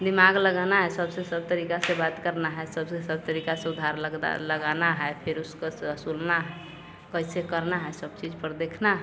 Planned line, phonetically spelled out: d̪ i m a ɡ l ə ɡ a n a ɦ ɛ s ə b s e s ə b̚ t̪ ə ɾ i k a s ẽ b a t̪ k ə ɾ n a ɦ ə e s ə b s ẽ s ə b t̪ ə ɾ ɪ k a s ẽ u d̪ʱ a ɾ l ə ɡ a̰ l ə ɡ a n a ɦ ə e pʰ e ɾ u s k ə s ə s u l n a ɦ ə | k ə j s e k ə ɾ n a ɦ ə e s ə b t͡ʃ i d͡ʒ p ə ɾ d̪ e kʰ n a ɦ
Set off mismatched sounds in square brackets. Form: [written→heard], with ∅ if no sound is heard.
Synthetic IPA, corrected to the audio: d̪ i m a ɡ l ə ɡ a n a ɦ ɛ s ə b s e s ə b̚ t̪ ə ɾ i k a s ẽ b a t̪ k ə ɾ n a ɦ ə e s ə b s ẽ s ə b t̪ ə ɾ [ɪ→i] k a s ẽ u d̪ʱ a ɾ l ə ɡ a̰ l ə ɡ a n a ɦ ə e pʰ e ɾ u s k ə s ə s u l n a ɦ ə | k ə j s e k ə ɾ n a ɦ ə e s ə b t͡ʃ i d͡ʒ p ə ɾ d̪ e kʰ n a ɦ